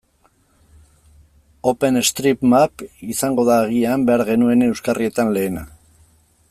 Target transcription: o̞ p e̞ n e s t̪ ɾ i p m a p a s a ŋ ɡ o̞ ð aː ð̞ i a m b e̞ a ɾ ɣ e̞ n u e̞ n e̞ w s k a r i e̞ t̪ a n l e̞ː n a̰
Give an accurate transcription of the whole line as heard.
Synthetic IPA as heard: o̞ p e̞ n e s t̪ ɾ i p m a p i s a ŋ ɡ o̞ ð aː ɣ̞ i a m b e̞ a ɾ ɣ e̞ n u e̞ n e̞ w s k a r i e̞ t̪ a n l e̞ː n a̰